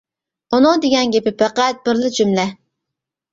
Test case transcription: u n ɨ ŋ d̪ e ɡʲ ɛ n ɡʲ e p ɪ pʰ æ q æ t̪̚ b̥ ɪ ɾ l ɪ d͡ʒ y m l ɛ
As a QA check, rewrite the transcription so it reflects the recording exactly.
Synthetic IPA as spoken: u n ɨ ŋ d̪ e ɡʲ ɛ n ɡʲ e p ɪ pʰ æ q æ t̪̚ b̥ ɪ ɾ l ɪ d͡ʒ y m l ɛ